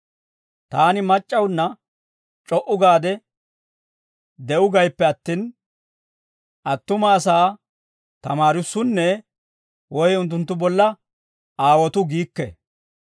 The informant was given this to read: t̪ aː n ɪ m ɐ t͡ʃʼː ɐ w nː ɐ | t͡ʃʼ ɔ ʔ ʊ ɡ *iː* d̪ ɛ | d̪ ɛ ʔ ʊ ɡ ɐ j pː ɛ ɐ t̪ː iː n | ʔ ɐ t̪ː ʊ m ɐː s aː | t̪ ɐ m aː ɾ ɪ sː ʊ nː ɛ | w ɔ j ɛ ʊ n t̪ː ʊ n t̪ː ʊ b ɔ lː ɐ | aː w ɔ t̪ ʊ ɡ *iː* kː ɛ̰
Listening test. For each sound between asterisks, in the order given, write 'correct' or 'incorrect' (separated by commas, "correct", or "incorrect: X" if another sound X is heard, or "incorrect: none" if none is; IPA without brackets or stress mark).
incorrect: aː, correct